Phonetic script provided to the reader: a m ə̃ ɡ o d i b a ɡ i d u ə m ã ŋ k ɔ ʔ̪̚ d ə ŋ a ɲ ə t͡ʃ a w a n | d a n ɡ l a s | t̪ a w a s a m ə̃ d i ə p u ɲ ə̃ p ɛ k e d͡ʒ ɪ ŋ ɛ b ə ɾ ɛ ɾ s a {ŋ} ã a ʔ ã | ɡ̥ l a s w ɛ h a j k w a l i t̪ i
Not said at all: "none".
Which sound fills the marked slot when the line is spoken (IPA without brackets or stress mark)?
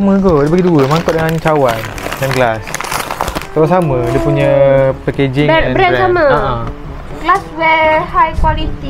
m